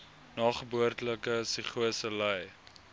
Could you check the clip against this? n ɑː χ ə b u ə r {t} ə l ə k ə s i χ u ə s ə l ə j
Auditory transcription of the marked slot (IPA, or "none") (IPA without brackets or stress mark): t